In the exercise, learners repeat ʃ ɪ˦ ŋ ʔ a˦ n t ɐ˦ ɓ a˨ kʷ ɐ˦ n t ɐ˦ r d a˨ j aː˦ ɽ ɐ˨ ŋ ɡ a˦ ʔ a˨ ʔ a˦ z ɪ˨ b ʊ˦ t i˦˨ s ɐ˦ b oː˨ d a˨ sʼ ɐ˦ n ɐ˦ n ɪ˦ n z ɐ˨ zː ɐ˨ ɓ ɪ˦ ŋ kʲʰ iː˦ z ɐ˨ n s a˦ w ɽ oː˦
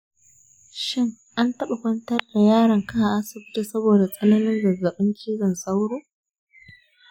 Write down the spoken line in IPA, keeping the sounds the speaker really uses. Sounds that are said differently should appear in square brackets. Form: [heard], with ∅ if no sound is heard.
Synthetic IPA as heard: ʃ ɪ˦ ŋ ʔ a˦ n t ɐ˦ ɓ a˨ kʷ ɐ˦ n t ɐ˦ r d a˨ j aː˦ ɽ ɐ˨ ŋ [k] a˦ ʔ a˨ ʔ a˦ [s] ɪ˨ b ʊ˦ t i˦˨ s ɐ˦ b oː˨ d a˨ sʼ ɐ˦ n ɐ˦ n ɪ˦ n z ɐ˨ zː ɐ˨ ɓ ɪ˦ ŋ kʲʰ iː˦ z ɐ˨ n s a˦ w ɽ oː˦